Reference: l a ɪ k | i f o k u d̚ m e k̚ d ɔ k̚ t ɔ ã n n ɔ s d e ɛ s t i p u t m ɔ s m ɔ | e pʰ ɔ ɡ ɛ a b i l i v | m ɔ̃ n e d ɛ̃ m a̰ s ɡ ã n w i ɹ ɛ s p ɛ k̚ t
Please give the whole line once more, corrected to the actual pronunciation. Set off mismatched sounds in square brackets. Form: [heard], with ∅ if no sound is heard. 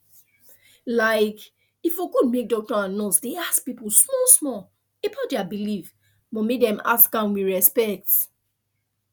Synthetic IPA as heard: l a ɪ k | i f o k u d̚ m e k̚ d ɔ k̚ t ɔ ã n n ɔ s d e [a] s [p] i p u [s] m ɔ s m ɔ | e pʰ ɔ [d] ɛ a b i l i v | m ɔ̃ [m] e d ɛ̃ m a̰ s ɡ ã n w i ɹ ɛ s p ɛ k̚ t